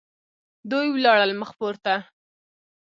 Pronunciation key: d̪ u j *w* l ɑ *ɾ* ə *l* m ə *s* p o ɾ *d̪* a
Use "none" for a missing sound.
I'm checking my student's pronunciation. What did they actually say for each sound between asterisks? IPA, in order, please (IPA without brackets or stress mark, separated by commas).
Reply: w, ɽ, l, x, t̪